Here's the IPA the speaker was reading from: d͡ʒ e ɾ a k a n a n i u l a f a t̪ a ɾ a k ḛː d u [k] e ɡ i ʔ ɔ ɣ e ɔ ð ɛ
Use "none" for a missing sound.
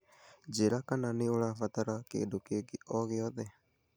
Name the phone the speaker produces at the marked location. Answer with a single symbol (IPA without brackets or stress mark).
k